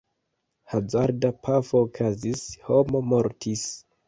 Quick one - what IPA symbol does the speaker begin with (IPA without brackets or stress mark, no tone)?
h